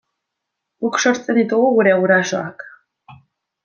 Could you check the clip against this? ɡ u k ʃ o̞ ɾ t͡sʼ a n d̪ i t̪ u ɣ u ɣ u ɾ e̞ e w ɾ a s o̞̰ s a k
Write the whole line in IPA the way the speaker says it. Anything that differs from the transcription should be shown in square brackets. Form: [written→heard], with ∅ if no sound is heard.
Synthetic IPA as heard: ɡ u k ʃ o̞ ɾ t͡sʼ [a→e] n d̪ i t̪ u ɣ u ɣ u ɾ e̞ [e→a] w ɾ a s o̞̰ [s→∅] a k